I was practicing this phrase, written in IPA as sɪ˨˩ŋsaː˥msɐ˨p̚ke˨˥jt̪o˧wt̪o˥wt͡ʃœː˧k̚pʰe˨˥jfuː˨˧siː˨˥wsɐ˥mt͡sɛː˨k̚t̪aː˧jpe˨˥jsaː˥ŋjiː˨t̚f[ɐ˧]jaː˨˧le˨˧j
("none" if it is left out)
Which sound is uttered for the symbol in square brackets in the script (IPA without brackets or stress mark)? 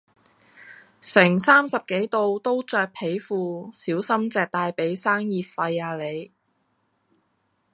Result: ɐ˧